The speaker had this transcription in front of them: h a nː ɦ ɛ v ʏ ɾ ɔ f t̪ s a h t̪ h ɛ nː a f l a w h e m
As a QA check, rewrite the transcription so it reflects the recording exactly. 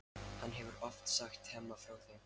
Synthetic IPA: h a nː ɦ ɛ v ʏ ɾ ɔ f t̪ s a x t̪ h ɛ mː a f ɾ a w θ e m